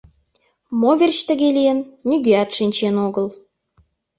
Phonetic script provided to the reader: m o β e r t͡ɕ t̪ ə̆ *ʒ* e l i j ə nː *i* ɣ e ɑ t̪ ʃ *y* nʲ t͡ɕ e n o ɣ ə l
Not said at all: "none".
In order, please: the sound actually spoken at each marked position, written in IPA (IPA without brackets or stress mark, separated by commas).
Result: ɣ, y, i